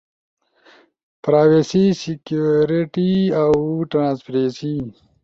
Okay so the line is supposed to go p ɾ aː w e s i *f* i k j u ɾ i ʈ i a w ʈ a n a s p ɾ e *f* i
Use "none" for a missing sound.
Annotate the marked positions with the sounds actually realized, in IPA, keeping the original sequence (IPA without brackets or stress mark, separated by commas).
s, s